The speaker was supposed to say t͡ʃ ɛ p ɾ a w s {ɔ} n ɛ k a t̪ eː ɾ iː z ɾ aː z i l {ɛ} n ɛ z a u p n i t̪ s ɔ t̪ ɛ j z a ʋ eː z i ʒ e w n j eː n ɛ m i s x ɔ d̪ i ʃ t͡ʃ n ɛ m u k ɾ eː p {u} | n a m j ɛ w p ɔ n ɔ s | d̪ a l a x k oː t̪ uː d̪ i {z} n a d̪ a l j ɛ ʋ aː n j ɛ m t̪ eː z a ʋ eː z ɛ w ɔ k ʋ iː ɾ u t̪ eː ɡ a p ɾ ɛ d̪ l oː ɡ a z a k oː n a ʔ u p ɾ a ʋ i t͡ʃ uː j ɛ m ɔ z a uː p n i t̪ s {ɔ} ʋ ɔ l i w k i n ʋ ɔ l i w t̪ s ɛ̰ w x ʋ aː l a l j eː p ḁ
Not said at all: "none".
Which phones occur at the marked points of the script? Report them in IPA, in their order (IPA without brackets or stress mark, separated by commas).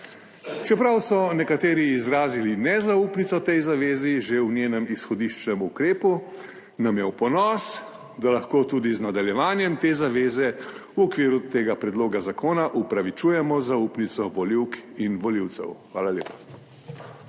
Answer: ɔ, i, u, z, ɔ